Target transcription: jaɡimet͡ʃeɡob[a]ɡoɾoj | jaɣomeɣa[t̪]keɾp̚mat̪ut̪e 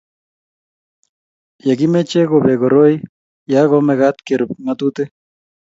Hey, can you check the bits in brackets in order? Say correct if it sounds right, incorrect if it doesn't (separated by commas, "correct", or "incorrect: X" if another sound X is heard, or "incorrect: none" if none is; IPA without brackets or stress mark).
incorrect: e, correct